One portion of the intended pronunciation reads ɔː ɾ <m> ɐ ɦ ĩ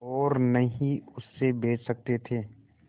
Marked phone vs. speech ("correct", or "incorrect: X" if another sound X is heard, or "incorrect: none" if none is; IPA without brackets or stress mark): incorrect: n